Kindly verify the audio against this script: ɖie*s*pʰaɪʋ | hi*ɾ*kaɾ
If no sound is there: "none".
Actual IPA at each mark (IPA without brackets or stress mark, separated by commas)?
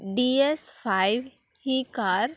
s, none